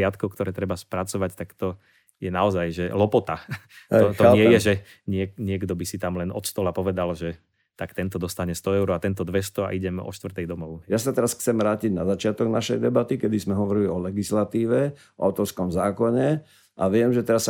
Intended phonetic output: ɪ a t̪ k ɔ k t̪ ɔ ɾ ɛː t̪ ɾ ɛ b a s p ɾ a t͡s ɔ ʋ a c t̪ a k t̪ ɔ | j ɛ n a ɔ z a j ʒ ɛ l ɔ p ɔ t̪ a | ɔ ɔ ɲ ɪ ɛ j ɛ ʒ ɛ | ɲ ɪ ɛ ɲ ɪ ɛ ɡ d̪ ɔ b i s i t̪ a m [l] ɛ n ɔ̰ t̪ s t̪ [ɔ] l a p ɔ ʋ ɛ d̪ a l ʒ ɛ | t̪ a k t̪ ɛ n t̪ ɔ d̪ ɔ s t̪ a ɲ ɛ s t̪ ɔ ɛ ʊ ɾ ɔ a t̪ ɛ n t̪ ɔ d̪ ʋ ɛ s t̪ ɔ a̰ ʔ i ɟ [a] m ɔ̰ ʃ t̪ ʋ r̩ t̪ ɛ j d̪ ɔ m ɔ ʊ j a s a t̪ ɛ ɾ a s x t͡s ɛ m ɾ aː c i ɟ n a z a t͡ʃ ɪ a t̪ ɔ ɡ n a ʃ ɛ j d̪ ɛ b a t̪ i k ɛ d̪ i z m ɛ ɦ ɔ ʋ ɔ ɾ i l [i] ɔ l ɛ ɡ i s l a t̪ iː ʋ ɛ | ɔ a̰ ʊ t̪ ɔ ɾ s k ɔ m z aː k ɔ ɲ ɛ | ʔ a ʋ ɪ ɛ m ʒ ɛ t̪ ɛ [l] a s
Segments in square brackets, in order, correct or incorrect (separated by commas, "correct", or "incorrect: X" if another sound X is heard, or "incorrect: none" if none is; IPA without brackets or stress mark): correct, correct, incorrect: ɛ, correct, incorrect: ɾ